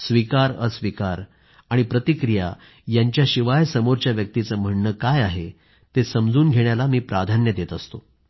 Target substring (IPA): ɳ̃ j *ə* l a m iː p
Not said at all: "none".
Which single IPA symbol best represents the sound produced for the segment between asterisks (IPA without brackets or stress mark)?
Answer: a